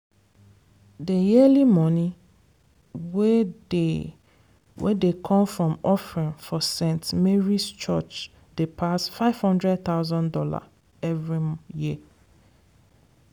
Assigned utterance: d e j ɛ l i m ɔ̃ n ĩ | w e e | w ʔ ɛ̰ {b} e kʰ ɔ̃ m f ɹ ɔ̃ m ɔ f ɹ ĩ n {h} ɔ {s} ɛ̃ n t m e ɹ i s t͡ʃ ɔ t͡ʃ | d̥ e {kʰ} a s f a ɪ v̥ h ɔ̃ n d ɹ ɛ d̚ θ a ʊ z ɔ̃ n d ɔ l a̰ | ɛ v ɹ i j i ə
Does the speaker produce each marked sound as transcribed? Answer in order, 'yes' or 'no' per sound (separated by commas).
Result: no, no, yes, no